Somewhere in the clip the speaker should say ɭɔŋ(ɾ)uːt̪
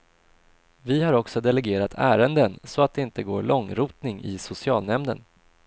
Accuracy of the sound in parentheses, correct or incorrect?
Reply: correct